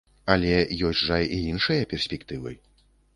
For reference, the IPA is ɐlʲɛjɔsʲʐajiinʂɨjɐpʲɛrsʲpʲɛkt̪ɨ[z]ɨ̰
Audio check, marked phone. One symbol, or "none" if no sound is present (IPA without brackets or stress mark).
v